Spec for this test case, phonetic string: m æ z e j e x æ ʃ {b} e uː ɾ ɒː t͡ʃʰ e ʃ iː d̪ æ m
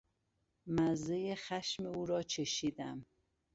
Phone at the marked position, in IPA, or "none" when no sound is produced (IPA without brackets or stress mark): m